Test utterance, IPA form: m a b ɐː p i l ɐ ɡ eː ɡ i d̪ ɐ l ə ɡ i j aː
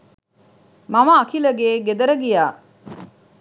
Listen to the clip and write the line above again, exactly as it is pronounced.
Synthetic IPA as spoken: m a m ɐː k i l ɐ ɡ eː ɡ e d̪ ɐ ɾ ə ɡ i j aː